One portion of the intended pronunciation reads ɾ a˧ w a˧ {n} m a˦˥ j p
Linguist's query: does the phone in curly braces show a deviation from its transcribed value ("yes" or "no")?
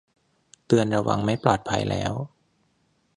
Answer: yes